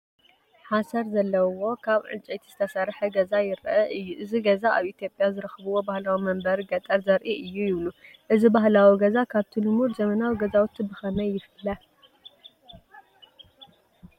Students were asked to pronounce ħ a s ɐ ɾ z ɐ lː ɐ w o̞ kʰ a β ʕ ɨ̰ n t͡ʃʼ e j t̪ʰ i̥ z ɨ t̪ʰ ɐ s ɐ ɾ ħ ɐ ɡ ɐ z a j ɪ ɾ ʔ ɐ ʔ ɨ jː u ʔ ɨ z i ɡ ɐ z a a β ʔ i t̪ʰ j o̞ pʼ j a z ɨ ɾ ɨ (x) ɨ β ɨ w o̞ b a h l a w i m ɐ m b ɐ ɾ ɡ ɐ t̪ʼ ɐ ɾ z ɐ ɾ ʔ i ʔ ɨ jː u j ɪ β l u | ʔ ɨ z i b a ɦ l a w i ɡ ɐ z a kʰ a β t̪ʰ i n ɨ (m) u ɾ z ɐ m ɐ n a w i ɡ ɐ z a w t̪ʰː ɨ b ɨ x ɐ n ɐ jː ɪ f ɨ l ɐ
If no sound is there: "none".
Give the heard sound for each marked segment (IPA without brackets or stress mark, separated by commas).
x, m